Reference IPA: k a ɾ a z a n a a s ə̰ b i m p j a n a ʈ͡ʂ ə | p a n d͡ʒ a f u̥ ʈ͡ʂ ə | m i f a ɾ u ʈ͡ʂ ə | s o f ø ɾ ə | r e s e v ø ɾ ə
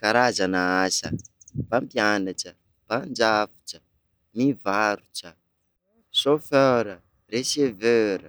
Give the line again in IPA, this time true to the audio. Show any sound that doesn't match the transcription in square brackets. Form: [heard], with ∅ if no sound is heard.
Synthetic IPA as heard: k a ɾ a z a n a a s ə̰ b [a] m p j a n a ʈ͡ʂ ə | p a n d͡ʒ a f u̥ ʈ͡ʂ ə | m i [v] a ɾ u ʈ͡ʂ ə | s o f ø ɾ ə | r e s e v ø ɾ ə